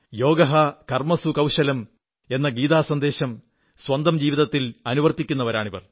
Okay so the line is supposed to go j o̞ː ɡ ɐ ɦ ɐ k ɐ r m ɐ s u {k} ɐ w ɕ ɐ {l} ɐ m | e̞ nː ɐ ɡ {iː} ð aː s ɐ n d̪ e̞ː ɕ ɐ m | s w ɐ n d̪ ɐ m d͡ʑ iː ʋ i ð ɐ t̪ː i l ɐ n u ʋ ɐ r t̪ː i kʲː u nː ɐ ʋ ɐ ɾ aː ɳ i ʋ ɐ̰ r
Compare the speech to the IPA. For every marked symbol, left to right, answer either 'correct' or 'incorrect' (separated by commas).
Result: correct, correct, correct